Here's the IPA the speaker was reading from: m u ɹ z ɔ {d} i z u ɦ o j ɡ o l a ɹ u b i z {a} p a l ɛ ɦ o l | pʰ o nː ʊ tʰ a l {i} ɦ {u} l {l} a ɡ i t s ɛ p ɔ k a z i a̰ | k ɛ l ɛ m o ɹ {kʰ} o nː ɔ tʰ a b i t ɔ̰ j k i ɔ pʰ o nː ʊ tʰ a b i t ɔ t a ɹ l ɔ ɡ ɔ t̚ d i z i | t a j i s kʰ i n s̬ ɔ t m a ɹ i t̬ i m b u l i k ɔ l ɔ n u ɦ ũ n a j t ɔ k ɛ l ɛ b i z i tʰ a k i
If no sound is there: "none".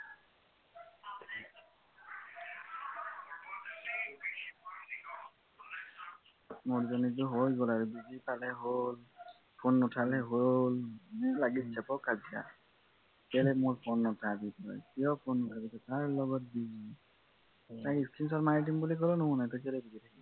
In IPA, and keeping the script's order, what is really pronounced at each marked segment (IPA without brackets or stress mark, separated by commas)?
n, i, ɛ, o, l, pʰ